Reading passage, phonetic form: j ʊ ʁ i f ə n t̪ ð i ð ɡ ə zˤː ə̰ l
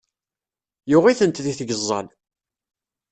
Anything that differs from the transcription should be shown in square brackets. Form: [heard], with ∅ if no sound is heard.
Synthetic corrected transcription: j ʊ ʁ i [θ] ə n t̪ ð i [θ] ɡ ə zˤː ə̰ l